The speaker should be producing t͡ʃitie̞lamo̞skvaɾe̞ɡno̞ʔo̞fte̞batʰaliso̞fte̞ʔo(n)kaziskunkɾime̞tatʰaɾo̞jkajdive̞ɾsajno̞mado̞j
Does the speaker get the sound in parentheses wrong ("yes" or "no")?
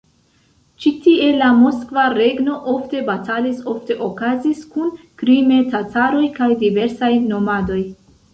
yes